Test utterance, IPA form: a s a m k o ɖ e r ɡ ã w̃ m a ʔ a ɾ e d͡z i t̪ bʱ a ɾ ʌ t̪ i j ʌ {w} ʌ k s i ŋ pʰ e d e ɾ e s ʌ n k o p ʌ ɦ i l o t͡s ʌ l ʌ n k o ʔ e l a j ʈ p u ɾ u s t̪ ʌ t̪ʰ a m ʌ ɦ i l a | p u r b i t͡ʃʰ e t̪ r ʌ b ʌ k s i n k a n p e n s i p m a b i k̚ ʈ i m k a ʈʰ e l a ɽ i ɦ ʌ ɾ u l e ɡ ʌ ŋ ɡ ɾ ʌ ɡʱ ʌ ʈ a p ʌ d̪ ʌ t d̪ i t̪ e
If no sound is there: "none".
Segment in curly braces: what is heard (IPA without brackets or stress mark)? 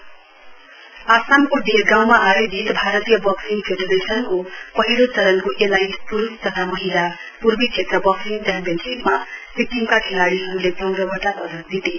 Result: b